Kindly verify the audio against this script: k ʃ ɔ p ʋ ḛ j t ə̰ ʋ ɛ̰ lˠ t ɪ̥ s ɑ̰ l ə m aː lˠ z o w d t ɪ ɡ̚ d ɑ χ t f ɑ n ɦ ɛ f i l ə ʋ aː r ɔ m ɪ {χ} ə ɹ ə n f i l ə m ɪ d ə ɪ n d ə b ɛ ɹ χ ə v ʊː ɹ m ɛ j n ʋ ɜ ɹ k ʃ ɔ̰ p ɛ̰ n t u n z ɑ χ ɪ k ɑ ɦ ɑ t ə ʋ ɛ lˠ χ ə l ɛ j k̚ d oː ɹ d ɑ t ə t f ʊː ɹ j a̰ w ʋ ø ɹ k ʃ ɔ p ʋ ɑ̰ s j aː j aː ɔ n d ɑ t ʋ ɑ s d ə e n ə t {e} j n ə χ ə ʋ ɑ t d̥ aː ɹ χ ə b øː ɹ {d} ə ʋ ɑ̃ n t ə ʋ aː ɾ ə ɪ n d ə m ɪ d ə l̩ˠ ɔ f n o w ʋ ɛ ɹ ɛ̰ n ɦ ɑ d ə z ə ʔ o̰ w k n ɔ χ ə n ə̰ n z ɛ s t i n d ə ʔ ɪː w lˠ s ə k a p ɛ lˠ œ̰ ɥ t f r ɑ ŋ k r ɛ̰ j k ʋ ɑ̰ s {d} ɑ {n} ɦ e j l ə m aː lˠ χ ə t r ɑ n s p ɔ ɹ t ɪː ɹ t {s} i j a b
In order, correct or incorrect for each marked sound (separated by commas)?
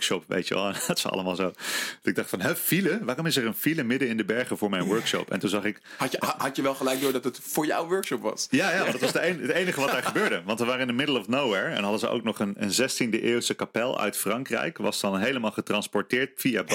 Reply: incorrect, correct, correct, correct, correct, incorrect